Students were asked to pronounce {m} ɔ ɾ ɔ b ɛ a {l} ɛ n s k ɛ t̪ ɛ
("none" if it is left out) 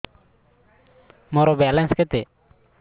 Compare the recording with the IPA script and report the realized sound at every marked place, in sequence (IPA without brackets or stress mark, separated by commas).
m, l